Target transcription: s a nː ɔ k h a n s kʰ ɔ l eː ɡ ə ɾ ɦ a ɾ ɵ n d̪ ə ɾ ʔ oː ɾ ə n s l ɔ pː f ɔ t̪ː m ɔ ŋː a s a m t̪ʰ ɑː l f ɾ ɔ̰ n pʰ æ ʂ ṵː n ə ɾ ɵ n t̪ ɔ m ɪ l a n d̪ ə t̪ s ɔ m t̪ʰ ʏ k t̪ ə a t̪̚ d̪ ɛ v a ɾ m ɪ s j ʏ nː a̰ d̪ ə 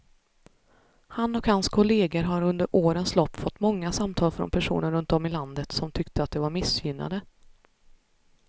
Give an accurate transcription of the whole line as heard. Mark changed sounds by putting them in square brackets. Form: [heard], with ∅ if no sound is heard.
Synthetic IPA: [h] a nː ɔ k h a n s kʰ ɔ l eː ɡ ə ɾ ɦ a ɾ ɵ n d̪ ə ɾ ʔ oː ɾ ə n s l ɔ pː f ɔ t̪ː m ɔ ŋː a s a m t̪ʰ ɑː l f ɾ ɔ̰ n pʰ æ ʂ ṵː n ə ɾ ɵ n t̪ ɔ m ɪ l a n d̪ ə t̪ s ɔ m t̪ʰ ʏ k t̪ ə a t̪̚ d̪ ɛ v a ɾ m ɪ s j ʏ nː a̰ d̪ ə

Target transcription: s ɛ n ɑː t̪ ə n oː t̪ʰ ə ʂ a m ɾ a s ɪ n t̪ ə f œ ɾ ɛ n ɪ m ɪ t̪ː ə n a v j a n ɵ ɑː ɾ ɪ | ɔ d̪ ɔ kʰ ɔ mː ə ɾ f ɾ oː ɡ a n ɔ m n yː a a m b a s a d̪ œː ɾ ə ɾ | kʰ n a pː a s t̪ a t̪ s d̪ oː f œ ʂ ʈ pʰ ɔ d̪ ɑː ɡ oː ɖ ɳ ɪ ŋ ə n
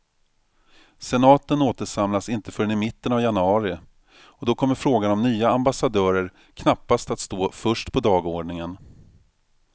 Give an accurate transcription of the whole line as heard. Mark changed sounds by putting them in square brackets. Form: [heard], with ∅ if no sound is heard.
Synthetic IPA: s ɛ n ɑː t̪ ə n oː [t̪] ə ʂ a m [l] a s ɪ n t̪ ə f œ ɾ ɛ n ɪ m ɪ t̪ː ə n a v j a n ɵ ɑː ɾ ɪ | ɔ d̪ ɔ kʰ ɔ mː ə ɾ f ɾ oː ɡ a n ɔ m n yː a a m b a s a d̪ œː ɾ ə ɾ | kʰ n a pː a s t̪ a t̪ s [t̪] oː f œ ʂ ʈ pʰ ɔ d̪ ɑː ɡ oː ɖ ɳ ɪ ŋ ə n

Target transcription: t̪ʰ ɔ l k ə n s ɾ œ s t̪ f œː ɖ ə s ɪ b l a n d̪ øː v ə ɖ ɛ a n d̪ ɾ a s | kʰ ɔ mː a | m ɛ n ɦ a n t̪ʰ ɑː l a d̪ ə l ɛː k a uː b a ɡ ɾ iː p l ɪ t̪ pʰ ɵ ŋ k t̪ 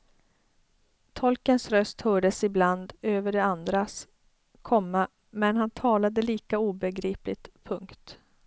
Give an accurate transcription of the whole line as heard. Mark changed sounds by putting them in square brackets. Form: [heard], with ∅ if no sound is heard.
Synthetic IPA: t̪ʰ ɔ l k ə n s ɾ œ s t̪ [h] œː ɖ ə s ɪ b l a n d̪ øː v ə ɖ ɛ a n d̪ ɾ a s | kʰ ɔ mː a | m ɛ n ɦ a n t̪ʰ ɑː l a d̪ ə l [iː] k a uː b [ɛ] ɡ ɾ iː p l ɪ t̪ pʰ ɵ ŋ k t̪

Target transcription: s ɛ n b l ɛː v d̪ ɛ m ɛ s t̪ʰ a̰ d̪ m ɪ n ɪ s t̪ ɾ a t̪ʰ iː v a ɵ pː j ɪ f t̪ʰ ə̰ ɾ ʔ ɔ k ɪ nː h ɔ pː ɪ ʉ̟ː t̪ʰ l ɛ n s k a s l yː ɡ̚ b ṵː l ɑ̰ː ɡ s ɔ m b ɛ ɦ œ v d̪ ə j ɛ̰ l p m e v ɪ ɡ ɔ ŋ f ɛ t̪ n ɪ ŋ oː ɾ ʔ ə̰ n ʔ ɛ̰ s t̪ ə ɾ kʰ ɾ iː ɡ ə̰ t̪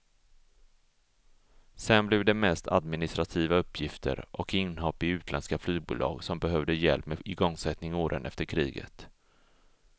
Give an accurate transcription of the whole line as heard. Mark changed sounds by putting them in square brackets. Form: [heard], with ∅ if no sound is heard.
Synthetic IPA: s ɛ n b l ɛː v d̪ ɛ m ɛ s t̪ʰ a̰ d̪ m ɪ n ɪ s t̪ ɾ a t̪ʰ iː v a ɵ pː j ɪ f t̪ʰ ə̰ ɾ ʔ ɔ k ɪ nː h ɔ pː ɪ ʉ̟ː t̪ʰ l ɛ n s k a [f] l yː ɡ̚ b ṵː l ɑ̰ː ɡ s ɔ m b ɛ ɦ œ v d̪ ə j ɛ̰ l p m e [∅] ɪ ɡ ɔ ŋ [s] ɛ t̪ n ɪ ŋ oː ɾ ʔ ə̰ n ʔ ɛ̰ [f] t̪ ə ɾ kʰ ɾ iː ɡ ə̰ t̪

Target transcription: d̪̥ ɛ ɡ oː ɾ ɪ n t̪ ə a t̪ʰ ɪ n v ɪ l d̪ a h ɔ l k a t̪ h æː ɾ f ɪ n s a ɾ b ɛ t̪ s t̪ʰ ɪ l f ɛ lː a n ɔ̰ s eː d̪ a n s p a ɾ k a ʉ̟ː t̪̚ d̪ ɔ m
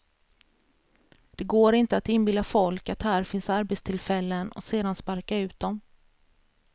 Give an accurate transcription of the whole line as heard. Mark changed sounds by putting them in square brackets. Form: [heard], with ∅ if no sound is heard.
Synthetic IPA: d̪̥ ɛ ɡ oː ɾ ɪ n t̪ ə a [t̪] ɪ n [b] ɪ l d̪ a [f] ɔ l k a t̪ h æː ɾ f ɪ n s a ɾ b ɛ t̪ s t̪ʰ ɪ l f ɛ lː [ə] n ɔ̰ s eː d̪ a n s p a ɾ k a ʉ̟ː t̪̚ d̪ ɔ m

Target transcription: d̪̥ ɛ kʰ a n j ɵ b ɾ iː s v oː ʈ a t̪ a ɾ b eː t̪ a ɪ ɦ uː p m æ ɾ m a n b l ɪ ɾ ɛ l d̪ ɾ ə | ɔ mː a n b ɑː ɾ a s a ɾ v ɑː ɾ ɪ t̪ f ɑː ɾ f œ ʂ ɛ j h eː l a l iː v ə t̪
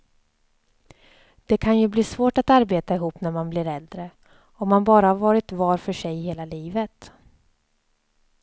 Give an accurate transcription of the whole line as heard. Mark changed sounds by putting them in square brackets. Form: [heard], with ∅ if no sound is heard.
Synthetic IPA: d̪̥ ɛ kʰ a n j ɵ b [l] iː s v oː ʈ a t̪ a ɾ b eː t̪ a ɪ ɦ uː p [n] æ ɾ m a n b l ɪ ɾ ɛ l d̪ ɾ ə | ɔ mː a n b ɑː ɾ a [h] a ɾ v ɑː ɾ ɪ t̪ [v] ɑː ɾ f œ ʂ ɛ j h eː l a l iː v ə t̪

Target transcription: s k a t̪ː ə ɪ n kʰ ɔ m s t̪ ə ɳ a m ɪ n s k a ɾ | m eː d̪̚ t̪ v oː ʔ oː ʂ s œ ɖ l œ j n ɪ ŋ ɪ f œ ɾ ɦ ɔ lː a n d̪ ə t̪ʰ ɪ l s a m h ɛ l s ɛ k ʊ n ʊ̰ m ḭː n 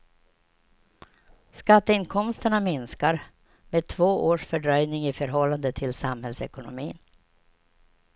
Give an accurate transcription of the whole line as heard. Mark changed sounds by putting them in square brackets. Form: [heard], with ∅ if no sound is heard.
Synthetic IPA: s k a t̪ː ə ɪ n kʰ ɔ m s t̪ ə ɳ a m ɪ n s k a ɾ | m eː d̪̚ [t̪ʰ] v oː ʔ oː ʂ [f] œ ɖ [ɾ] œ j n ɪ ŋ ɪ f œ ɾ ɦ ɔ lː a n d̪ ə t̪ʰ ɪ l s a m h ɛ l s ɛ k ʊ n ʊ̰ m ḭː n

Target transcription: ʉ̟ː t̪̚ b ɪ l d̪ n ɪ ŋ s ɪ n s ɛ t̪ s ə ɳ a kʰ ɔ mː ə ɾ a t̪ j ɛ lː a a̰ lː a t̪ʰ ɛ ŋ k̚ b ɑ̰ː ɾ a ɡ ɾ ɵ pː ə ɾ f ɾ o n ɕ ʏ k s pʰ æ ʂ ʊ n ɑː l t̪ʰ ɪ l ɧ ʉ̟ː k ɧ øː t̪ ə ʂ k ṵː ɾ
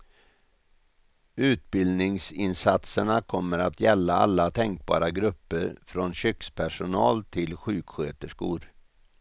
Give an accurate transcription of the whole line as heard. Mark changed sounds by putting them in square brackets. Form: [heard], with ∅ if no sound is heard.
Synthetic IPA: ʉ̟ː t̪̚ b ɪ l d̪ n ɪ ŋ s ɪ n s [a] t̪ s ə ɳ a kʰ ɔ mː ə ɾ a t̪ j ɛ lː a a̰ lː a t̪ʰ ɛ ŋ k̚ b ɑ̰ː ɾ a ɡ ɾ ɵ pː ə ɾ f ɾ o n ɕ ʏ k s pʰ æ ʂ ʊ n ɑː l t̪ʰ ɪ l ɧ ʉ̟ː k ɧ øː t̪ ə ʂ k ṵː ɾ

